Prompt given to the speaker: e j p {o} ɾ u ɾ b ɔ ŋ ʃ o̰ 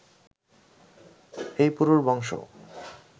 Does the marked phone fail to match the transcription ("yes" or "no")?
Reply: yes